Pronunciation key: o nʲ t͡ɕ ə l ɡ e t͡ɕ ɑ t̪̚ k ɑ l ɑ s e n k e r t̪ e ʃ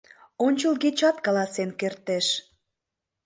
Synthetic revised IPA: o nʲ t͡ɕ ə l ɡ e t͡ɕ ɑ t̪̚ k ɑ l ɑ s e n k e r t̪ e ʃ